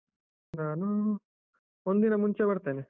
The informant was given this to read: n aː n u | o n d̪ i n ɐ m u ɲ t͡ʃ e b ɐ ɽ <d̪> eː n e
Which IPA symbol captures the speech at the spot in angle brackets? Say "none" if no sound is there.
t̪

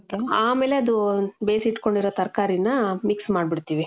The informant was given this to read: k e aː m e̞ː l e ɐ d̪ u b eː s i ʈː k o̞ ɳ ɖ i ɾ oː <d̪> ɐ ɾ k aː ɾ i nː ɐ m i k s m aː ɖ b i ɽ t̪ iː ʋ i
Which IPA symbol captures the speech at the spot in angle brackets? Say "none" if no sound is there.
t̪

